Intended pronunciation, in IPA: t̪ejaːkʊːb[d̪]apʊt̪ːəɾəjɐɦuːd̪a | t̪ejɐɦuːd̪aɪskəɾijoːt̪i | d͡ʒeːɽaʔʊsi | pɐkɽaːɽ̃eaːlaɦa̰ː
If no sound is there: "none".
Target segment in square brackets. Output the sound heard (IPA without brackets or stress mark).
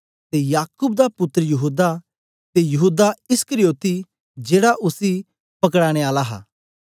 d̪